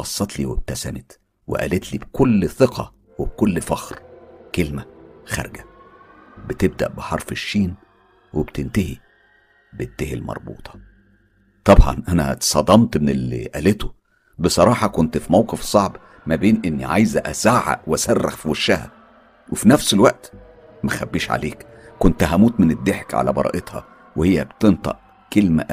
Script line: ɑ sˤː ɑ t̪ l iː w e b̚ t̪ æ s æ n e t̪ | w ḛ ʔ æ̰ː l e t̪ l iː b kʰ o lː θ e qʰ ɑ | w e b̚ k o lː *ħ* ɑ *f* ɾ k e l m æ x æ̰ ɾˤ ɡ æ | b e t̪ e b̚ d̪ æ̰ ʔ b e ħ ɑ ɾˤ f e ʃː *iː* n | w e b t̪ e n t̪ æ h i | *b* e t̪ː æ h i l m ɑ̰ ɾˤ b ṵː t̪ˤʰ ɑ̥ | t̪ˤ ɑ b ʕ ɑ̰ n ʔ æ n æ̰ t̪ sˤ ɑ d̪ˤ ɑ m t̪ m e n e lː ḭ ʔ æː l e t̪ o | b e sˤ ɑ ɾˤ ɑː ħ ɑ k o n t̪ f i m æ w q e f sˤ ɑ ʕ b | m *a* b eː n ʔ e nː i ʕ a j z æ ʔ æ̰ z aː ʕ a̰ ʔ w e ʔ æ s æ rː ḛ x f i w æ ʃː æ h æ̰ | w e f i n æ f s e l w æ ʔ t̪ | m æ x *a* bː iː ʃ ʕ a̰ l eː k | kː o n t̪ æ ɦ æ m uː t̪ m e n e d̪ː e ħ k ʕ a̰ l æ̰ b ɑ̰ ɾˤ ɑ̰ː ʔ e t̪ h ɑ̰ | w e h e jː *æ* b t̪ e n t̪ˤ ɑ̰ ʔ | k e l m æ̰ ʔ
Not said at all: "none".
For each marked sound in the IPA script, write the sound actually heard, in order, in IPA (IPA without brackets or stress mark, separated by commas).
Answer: f, x, iː, b, æ, æ, æ